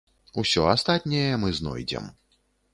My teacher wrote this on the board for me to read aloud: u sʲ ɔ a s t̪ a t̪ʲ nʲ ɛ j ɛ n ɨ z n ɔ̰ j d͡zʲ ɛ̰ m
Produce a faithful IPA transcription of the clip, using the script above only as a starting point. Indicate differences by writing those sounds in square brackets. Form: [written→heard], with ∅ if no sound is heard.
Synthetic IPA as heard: u sʲ ɔ a s t̪ a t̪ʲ nʲ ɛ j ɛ [n→m] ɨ z n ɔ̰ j d͡zʲ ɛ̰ m